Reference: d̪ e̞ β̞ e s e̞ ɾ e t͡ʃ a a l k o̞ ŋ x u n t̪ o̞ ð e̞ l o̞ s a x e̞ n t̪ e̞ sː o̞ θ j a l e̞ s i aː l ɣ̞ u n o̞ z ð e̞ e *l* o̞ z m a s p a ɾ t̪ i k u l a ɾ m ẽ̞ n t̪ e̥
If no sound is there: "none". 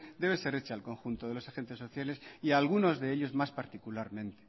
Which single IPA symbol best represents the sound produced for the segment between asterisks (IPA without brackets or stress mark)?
ʎ